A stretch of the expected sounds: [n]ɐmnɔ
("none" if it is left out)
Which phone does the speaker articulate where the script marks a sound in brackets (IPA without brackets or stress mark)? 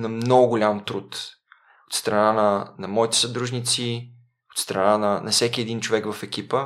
n